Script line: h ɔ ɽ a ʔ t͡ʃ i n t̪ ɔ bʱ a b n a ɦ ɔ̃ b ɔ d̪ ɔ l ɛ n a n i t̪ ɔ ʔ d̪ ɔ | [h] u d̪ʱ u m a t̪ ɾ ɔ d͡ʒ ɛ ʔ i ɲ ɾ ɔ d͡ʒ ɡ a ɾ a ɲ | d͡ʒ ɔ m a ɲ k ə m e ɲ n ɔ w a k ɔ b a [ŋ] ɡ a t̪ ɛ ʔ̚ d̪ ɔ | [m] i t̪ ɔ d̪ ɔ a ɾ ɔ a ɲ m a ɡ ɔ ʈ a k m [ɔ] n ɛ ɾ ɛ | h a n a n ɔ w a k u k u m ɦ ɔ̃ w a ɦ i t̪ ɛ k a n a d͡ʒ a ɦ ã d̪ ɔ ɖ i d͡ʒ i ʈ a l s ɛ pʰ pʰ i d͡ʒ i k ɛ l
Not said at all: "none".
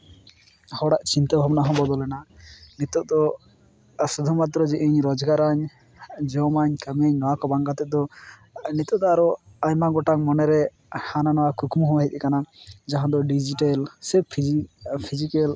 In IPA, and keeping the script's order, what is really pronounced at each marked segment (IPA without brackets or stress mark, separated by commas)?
s, ŋ, n, ɔ